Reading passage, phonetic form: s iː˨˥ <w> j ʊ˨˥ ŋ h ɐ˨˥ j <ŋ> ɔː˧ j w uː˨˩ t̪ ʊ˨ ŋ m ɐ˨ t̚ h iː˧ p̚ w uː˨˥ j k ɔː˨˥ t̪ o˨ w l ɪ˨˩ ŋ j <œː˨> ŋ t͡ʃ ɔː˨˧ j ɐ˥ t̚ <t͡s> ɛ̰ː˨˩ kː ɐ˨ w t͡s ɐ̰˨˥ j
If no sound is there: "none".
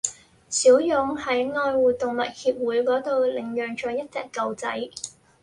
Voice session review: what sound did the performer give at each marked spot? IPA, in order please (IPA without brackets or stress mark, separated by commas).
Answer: w, ŋ, œː˨, t͡s